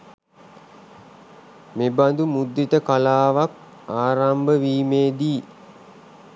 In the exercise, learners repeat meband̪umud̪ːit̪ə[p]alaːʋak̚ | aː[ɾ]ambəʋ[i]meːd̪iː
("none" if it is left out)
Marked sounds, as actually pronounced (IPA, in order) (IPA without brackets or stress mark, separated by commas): k, ɾ, iː